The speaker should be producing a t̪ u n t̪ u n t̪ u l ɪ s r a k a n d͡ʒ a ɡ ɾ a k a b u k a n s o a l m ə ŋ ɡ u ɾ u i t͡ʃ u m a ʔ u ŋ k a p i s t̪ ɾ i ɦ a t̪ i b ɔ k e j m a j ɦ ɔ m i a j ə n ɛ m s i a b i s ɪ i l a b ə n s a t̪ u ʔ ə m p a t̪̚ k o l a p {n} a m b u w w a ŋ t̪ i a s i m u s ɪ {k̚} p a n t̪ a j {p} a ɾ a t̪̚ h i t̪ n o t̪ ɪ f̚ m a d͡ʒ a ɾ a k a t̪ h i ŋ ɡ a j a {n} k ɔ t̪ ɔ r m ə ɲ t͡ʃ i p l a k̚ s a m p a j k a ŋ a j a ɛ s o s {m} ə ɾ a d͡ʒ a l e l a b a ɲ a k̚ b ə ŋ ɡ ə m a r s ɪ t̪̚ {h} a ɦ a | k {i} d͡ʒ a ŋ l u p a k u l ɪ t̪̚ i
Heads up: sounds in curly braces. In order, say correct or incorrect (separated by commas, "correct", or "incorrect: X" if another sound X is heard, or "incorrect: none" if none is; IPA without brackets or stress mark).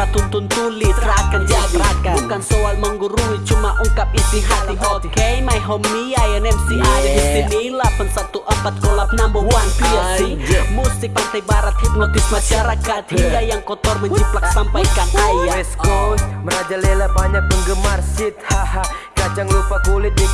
correct, correct, incorrect: b, incorrect: ŋ, correct, correct, incorrect: a